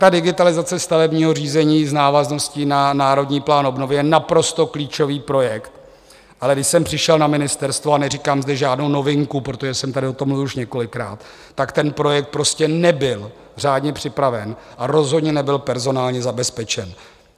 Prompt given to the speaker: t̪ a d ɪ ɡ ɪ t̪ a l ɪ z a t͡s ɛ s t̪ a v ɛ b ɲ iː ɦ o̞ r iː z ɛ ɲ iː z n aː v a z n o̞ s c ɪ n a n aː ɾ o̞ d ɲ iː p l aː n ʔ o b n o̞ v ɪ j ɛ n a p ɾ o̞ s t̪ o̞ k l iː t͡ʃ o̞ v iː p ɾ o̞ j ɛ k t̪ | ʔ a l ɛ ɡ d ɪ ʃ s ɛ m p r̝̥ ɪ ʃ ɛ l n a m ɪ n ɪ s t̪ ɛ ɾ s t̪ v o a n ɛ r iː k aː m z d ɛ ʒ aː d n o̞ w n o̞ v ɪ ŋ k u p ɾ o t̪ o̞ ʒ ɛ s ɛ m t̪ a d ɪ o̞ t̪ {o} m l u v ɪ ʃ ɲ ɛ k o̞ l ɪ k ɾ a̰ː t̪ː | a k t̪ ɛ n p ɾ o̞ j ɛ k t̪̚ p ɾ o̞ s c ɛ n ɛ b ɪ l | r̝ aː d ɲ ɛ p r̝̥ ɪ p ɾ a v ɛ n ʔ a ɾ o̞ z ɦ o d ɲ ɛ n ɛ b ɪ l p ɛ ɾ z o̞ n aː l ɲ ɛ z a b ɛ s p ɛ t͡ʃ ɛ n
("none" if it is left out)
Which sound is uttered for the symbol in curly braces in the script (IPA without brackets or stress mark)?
o